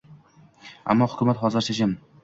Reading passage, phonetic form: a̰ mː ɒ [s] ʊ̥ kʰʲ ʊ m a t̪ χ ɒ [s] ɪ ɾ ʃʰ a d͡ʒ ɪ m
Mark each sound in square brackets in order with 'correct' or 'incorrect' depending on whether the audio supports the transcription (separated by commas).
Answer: incorrect, incorrect